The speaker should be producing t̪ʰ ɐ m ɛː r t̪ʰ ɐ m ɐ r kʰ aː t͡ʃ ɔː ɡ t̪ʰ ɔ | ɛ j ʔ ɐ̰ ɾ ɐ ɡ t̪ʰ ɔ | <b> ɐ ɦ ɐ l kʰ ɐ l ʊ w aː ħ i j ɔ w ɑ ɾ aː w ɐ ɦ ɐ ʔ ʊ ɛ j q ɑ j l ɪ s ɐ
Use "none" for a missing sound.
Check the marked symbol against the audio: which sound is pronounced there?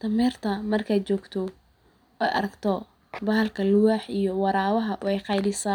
b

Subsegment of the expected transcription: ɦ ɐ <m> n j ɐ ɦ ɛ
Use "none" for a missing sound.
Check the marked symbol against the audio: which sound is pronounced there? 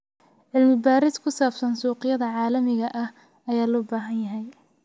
none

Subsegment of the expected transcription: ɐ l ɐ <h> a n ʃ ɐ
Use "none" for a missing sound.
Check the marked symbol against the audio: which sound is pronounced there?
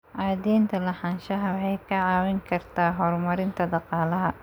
ħ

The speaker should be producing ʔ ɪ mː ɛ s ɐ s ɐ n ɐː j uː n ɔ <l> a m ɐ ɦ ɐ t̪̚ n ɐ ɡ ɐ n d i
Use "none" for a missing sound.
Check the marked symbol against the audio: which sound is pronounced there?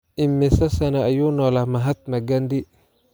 l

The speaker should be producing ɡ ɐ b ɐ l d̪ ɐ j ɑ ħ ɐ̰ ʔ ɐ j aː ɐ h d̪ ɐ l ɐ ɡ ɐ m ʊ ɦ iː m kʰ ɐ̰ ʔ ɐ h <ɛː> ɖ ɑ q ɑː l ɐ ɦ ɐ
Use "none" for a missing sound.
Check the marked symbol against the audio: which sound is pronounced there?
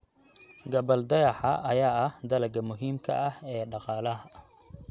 ɛː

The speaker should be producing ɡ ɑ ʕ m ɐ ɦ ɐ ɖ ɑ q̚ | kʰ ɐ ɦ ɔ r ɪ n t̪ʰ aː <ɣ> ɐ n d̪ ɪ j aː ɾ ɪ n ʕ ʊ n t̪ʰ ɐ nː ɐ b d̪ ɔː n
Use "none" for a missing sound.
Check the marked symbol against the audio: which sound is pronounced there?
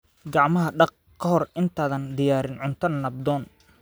ð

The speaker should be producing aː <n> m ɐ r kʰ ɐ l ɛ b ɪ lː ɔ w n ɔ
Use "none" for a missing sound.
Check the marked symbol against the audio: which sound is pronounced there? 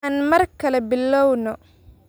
n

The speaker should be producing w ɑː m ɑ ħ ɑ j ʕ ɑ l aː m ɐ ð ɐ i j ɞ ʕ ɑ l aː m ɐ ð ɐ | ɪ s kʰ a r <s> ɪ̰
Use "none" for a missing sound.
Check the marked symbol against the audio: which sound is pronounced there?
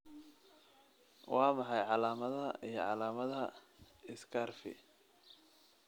f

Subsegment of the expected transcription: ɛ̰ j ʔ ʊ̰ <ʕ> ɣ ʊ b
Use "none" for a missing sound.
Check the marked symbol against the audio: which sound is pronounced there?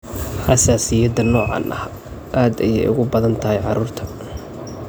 none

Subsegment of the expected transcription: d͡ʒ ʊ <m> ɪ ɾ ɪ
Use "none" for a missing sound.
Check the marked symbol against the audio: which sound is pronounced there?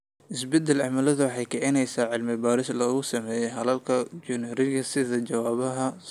n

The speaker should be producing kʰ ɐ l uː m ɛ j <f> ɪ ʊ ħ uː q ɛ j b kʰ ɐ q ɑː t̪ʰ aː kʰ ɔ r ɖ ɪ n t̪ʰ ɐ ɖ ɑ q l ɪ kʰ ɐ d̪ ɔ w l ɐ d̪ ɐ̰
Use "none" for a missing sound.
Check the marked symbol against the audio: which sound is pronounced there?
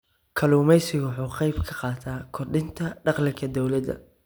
s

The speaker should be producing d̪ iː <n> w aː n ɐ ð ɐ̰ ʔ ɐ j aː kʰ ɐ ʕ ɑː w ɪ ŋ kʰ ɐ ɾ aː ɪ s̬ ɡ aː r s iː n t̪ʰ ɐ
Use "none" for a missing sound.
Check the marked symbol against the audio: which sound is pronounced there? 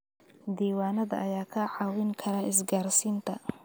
none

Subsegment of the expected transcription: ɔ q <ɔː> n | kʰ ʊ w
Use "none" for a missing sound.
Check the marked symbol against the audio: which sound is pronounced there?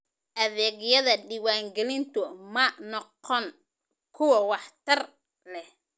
ɔ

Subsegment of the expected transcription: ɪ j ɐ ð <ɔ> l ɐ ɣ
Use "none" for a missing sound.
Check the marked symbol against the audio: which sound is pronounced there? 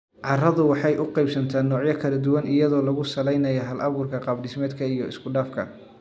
ɔː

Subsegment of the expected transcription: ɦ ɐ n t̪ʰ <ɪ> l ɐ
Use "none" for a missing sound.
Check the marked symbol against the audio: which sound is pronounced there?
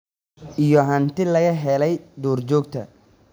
ɪ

